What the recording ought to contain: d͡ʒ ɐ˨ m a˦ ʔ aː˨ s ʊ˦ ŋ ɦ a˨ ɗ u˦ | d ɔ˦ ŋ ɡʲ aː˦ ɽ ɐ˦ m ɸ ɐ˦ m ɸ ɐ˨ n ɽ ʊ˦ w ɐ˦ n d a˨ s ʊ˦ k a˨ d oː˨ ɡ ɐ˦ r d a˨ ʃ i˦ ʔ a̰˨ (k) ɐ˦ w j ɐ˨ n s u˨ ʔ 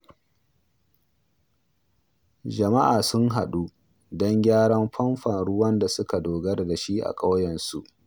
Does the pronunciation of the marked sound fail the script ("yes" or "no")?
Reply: yes